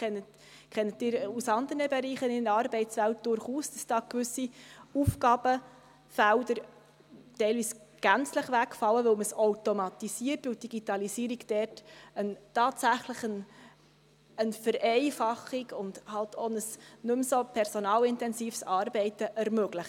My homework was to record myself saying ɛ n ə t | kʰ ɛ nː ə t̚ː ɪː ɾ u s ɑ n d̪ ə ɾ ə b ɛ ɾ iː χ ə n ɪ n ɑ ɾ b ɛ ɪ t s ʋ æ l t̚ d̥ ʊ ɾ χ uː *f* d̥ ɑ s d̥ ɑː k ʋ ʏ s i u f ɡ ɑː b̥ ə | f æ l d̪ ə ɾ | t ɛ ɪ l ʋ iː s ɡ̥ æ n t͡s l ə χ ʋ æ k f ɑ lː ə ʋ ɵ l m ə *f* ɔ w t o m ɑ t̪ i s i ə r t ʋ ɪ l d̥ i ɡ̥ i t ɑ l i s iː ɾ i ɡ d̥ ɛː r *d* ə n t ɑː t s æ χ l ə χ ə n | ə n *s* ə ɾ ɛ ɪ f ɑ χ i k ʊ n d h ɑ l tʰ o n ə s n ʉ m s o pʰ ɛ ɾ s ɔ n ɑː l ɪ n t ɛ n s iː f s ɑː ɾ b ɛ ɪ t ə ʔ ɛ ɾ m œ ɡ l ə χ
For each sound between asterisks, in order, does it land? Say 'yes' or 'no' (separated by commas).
no, no, no, no